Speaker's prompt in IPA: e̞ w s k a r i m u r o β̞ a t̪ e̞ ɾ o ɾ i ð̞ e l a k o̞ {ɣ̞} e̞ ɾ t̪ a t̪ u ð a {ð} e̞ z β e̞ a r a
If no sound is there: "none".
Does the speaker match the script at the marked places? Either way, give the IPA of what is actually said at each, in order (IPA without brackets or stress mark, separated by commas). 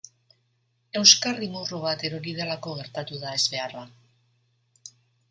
ɣ̞, none